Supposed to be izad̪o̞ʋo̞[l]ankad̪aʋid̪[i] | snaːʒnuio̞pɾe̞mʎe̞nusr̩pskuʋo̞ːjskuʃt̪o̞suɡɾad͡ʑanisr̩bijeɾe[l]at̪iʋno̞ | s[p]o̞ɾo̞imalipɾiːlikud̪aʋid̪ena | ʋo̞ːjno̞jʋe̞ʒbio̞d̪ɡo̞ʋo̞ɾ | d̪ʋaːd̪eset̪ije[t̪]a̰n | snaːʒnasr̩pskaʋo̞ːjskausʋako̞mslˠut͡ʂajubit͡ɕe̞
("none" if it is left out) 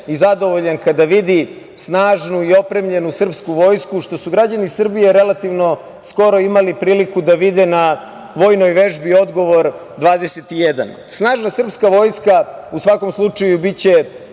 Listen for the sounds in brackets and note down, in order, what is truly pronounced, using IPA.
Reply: ʎ, i, l, k, d̪

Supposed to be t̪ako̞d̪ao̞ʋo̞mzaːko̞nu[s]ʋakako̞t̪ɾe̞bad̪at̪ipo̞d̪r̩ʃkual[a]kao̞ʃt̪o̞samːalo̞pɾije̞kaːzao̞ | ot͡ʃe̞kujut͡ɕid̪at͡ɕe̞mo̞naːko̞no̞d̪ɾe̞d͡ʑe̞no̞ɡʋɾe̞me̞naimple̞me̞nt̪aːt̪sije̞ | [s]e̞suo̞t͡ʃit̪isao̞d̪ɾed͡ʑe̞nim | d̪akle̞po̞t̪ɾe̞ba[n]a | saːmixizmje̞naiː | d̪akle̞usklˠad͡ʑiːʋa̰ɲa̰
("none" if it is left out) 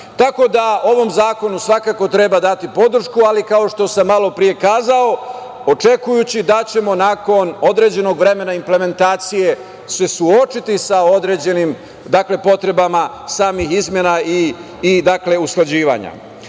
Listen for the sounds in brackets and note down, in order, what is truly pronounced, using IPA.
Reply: s, i, s, m

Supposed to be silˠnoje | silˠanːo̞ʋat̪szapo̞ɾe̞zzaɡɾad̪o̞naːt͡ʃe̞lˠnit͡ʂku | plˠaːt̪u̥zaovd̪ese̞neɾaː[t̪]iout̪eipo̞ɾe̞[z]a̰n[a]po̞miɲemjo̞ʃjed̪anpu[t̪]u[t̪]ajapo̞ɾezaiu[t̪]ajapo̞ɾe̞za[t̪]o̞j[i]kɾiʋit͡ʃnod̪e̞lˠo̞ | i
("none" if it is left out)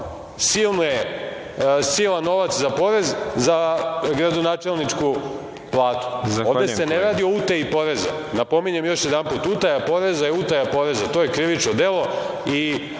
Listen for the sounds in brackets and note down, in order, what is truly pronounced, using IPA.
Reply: d̪, z, a, t̪, t̪, t̪, t̪, e

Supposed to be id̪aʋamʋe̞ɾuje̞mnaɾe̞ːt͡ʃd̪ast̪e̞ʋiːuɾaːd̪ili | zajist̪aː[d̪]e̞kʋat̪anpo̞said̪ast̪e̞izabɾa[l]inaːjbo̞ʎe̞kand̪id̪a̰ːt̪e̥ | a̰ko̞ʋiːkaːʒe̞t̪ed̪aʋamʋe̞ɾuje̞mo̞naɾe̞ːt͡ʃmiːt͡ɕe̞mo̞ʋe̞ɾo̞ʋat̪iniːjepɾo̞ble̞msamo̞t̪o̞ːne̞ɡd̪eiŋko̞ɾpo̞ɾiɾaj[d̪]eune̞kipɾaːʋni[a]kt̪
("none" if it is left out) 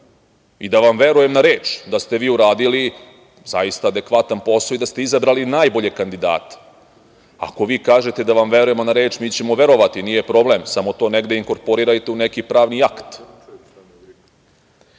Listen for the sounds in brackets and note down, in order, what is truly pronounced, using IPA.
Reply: d̪, l, t̪, a

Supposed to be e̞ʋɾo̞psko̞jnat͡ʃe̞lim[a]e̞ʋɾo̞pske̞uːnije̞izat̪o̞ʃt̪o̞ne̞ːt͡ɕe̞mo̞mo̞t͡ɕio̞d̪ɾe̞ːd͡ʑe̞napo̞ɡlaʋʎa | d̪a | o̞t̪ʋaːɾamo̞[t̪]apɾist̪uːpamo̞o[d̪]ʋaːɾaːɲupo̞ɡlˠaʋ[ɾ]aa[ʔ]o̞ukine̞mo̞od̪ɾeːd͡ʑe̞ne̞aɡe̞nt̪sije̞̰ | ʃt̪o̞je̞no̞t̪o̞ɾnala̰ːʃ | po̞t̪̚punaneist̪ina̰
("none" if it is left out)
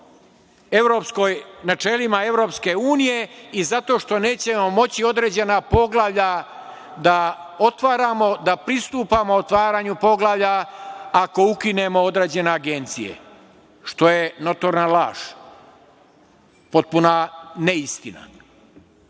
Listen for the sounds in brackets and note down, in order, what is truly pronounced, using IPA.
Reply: a, d̪, t̪, ʎ, k

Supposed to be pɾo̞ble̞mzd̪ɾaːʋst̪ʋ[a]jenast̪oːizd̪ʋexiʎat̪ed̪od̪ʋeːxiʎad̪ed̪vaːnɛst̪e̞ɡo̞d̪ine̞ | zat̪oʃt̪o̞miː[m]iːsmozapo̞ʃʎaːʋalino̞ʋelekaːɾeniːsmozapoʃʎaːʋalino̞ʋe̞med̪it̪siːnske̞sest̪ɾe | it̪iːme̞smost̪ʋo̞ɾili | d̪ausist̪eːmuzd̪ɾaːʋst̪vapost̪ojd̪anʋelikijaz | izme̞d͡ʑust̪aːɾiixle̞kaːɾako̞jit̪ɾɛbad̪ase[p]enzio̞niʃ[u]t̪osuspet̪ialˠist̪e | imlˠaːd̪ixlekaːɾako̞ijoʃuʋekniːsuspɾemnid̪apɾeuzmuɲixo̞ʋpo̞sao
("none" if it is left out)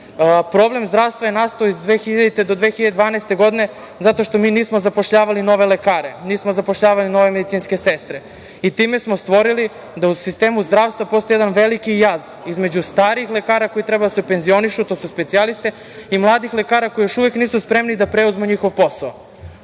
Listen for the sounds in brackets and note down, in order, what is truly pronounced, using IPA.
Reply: a, n, p, u

